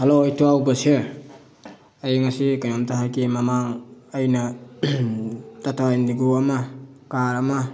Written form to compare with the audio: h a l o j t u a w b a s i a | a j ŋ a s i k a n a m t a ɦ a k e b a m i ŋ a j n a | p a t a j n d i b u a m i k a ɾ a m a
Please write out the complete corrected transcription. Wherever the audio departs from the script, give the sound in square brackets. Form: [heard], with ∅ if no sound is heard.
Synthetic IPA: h a l o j t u a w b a s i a | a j ŋ a s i k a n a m t a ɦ a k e [m] a m [a] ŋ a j n a | [t] a t a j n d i [ɡ] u a m [a] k a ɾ a m a